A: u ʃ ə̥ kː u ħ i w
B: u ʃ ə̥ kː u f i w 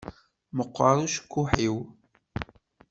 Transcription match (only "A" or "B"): A